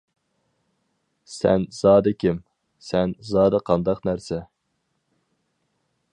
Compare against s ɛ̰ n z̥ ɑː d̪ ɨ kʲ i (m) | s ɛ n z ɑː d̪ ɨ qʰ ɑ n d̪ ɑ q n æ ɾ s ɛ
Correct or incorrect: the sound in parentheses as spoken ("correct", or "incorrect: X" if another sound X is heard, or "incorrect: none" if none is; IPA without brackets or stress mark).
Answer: correct